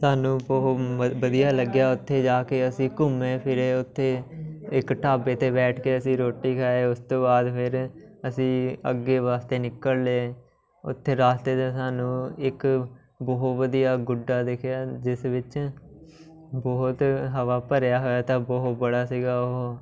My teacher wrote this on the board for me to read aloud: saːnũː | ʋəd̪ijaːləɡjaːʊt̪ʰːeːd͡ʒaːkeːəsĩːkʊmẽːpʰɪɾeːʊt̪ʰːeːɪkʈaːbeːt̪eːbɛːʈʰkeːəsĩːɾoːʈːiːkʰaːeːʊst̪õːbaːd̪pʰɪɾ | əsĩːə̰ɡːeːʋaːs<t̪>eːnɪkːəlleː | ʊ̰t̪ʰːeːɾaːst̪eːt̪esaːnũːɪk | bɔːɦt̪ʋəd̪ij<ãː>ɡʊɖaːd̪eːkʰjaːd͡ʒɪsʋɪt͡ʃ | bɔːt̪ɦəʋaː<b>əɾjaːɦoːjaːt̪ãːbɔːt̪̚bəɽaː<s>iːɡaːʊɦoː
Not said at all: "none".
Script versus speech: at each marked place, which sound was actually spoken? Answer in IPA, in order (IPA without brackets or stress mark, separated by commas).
t̪, aː, p, s